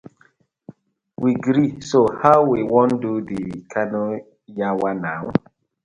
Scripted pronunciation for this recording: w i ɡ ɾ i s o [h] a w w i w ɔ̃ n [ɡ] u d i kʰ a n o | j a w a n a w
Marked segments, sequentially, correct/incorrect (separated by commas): correct, incorrect